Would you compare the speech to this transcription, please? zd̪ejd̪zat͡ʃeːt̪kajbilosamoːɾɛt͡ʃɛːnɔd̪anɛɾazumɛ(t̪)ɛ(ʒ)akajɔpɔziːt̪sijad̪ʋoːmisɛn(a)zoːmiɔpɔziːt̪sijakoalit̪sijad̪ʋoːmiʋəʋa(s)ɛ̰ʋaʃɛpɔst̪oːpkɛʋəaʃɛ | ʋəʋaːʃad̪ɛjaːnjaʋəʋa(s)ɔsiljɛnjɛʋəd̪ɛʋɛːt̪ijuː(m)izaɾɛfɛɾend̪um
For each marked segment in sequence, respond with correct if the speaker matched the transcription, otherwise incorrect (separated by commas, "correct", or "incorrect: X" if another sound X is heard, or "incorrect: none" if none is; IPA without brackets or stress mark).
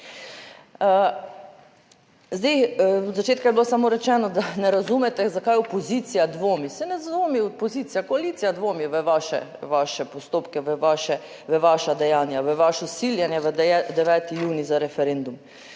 correct, incorrect: z, incorrect: ɛ, incorrect: ʃ, incorrect: ʃ, incorrect: n